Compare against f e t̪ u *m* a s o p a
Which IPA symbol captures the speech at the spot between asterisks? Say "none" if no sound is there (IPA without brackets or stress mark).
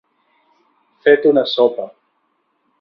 n